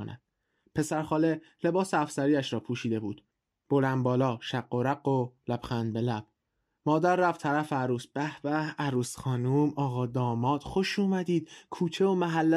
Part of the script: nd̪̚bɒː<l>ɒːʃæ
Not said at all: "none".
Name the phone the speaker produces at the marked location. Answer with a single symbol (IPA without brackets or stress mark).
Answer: l